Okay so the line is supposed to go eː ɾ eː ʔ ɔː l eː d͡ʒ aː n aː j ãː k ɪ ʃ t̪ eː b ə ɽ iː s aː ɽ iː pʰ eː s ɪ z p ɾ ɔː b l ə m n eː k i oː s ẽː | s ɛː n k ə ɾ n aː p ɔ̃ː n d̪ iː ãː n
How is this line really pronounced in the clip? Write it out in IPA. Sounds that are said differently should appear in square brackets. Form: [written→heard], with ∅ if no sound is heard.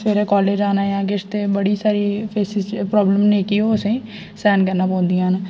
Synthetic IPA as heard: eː ɾ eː [ʔ→k] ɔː l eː d͡ʒ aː n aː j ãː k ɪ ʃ t̪ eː b ə ɽ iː s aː [ɽ→ɾ] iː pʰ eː s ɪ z p ɾ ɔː b l ə m n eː k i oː s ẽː | s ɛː n k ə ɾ n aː p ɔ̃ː n d̪ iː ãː n